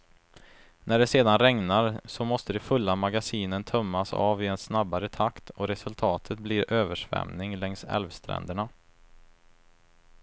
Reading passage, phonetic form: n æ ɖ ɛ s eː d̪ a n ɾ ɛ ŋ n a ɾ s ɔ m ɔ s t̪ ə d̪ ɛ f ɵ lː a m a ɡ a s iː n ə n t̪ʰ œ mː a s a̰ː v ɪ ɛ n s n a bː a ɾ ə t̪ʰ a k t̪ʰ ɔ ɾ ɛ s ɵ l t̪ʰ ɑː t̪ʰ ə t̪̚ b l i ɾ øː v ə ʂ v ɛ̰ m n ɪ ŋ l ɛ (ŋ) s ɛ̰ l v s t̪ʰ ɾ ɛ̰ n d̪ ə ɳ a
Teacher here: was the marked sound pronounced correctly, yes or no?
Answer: yes